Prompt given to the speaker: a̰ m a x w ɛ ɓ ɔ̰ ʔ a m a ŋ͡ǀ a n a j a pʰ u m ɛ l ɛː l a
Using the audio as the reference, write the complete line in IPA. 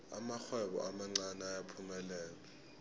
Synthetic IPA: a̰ m a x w ɛ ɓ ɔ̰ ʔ a m a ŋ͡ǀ a n a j a pʰ u m ɛ l ɛː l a